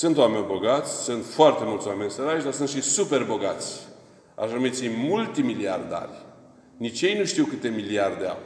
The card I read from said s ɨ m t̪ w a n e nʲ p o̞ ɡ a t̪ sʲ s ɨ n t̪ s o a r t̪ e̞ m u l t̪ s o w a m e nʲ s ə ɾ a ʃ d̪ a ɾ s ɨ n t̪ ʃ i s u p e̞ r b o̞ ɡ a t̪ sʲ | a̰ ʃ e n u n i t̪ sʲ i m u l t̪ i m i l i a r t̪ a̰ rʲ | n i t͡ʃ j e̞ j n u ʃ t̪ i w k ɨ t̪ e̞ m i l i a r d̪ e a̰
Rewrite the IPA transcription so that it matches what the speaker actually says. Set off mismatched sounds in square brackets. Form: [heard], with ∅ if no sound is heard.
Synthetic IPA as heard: s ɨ [n] t̪ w a [m] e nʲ [b] o̞ ɡ a t̪ sʲ s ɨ n t̪ [f] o a r t̪ e̞ m u l t̪ s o w a m e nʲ s ə ɾ a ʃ d̪ a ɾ s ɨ n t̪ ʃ i s u p e̞ r b o̞ ɡ a t̪ sʲ | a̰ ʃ [a] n u [m] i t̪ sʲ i m u l t̪ i m i l i a r [d̪] a̰ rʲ | n i t͡ʃ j e̞ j n u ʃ t̪ i w k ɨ t̪ e̞ m i l i a r d̪ e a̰